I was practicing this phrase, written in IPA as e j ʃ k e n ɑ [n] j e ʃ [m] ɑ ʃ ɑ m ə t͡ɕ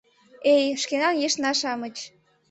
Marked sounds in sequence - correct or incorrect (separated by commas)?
correct, incorrect